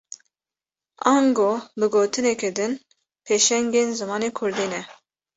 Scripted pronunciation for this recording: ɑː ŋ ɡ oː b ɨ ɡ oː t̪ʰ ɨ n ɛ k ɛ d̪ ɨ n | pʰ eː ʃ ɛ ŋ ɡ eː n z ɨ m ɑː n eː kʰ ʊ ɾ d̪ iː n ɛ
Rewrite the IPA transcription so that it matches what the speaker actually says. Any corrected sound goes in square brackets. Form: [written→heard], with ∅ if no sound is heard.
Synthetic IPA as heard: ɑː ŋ ɡ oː b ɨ ɡ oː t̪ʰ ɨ n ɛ k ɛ d̪ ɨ n | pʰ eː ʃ ɛ ŋ ɡ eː n z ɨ m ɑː n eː kʰ ʊ ɾ d̪ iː n ɛ